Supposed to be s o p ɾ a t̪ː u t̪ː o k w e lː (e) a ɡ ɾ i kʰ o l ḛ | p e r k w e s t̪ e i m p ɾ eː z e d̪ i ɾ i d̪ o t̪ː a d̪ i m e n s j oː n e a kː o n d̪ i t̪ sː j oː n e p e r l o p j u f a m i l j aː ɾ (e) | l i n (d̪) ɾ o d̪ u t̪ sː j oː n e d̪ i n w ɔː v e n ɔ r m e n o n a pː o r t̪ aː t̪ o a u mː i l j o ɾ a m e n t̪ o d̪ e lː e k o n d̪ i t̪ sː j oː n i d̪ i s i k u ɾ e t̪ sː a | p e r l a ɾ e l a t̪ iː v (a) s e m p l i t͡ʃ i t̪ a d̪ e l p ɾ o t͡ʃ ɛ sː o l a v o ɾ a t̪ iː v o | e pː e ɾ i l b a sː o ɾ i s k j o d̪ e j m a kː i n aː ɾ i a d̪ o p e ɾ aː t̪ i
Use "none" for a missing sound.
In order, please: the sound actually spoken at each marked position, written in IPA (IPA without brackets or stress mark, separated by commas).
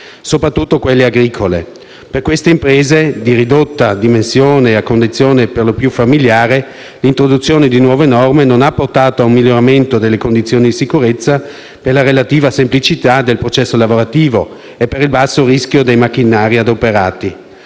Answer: e, e, t̪, a